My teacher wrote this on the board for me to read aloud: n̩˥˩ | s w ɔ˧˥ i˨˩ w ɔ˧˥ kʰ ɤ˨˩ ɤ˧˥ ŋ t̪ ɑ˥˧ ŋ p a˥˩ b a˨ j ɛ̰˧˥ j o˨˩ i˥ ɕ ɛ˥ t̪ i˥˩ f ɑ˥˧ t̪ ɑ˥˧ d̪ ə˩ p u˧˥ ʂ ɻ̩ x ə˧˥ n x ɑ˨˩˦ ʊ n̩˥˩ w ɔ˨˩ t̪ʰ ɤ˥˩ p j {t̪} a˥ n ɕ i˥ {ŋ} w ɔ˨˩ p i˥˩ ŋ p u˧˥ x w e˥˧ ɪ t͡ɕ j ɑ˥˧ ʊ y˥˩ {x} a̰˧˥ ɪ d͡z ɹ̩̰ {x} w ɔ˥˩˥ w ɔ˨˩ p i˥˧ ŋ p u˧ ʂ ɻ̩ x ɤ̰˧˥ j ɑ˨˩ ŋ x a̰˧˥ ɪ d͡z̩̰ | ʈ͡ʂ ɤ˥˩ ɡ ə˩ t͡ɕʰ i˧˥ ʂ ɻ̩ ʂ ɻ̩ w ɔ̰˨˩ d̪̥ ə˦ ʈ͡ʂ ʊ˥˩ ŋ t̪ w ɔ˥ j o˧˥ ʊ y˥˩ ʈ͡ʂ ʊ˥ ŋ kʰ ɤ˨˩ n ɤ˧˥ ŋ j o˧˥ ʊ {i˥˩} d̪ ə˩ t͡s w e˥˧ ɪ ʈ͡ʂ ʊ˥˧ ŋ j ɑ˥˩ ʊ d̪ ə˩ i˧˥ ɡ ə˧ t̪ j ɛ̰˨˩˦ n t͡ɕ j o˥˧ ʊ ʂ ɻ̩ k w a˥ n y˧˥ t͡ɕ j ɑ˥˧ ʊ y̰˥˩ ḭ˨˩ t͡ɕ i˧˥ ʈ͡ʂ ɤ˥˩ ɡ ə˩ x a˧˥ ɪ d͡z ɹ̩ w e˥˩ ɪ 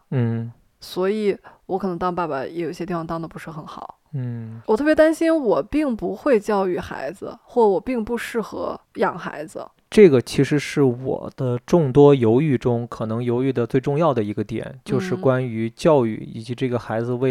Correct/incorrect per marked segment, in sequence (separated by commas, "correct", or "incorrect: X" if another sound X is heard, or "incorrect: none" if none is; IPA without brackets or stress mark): correct, incorrect: n, correct, correct, incorrect: y˥˩